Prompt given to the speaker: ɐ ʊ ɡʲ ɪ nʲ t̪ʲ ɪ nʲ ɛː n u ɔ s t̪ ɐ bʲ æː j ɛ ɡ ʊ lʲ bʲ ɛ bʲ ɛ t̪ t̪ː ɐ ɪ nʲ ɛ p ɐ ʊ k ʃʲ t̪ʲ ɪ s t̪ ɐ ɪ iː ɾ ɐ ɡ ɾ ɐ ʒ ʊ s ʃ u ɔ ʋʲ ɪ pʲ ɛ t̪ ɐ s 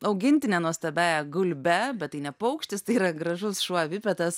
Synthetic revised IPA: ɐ ʊ ɡʲ ɪ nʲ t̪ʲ ɪ nʲ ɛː n u ɔ s t̪ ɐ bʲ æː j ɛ ɡ ʊ lʲ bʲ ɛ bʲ ɛ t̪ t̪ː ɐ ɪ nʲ ɛ p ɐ ʊ k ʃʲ t̪ʲ ɪ s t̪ ɐ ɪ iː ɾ ɐ ɡ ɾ ɐ ʒ ʊ s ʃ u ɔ ʋʲ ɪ pʲ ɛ t̪ ɐ s